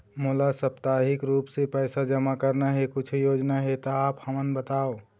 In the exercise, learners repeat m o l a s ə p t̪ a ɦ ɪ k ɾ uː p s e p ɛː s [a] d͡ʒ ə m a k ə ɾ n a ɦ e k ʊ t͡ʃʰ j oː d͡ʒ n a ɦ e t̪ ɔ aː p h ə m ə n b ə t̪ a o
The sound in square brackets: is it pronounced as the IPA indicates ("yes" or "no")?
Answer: yes